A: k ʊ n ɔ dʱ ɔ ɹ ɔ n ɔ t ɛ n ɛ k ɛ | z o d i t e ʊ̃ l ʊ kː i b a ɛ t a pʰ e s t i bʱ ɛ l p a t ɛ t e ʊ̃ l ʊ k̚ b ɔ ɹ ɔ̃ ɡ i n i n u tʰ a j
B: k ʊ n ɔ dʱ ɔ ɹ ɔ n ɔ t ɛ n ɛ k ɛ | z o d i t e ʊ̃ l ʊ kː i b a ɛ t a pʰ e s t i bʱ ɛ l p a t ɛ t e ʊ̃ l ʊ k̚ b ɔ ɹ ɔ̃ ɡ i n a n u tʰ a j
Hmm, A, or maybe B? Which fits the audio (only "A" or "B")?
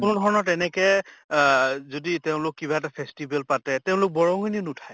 A